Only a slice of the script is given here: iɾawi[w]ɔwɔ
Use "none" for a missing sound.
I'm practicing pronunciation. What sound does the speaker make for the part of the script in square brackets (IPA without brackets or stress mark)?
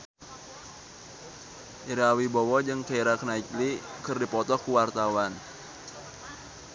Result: b